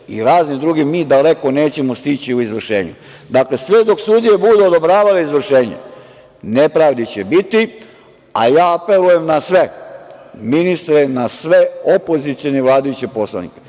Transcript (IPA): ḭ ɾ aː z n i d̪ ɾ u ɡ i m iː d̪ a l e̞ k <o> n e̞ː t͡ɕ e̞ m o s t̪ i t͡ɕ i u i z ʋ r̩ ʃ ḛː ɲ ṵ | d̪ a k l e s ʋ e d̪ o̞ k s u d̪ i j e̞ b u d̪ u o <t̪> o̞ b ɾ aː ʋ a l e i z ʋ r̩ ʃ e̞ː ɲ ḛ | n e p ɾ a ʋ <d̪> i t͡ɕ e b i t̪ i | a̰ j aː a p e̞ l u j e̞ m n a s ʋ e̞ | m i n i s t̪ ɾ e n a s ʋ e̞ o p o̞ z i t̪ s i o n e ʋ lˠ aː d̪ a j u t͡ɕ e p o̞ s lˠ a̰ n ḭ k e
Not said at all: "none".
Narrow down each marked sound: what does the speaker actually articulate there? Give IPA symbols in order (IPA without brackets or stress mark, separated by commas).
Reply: o, d̪, d̪